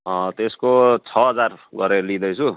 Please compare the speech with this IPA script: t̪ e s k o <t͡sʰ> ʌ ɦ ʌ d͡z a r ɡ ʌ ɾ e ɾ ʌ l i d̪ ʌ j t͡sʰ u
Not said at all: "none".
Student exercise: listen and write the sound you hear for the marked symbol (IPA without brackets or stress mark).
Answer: t͡sʰ